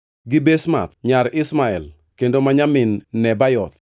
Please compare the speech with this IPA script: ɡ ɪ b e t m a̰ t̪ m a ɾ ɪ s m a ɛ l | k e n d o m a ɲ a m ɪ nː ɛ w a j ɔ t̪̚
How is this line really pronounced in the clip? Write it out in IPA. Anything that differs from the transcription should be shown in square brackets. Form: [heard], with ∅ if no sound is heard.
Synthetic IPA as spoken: ɡ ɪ b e [s] m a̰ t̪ [ɲ] a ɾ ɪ s m a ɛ l | k e n d o m a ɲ a m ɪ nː ɛ [b] a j ɔ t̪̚